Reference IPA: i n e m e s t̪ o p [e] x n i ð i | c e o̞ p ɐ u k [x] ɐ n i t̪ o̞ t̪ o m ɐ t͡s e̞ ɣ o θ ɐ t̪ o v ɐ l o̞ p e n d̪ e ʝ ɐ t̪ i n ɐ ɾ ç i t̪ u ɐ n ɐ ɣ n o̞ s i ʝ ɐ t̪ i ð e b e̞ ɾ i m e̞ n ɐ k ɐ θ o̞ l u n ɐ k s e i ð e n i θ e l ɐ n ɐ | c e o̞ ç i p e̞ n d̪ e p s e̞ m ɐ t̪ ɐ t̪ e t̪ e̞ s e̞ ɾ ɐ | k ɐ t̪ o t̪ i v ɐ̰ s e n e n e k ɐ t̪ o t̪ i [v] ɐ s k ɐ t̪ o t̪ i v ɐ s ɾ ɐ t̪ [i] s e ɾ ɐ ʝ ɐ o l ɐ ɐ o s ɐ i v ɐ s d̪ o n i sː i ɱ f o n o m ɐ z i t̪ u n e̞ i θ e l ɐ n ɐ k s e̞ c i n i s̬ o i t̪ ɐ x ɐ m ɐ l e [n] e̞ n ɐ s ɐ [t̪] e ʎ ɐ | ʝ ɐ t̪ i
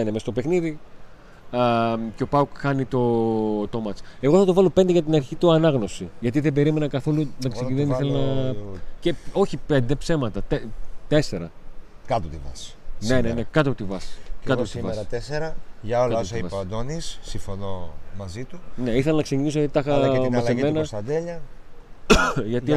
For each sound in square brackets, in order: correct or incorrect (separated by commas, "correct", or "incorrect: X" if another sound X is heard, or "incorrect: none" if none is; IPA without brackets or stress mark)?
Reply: correct, correct, correct, incorrect: e, incorrect: m, incorrect: d̪